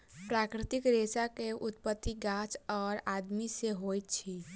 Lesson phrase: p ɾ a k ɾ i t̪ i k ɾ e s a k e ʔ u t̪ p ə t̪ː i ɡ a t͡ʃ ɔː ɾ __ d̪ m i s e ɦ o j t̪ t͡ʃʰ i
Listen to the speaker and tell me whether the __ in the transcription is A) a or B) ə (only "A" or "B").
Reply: A